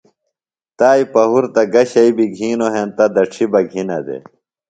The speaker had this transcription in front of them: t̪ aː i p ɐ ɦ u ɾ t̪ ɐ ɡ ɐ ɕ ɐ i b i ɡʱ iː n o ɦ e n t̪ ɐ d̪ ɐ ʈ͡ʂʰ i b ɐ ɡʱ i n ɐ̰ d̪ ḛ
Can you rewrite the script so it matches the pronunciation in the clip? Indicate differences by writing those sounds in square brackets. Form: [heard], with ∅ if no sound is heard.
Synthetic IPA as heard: t̪ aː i p ɐ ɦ u ɾ t̪ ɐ ɡ ɐ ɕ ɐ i b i ɡʱ iː n o ɦ e n t̪ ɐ d̪ ɐ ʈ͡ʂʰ i b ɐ ɡʱ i n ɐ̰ d̪ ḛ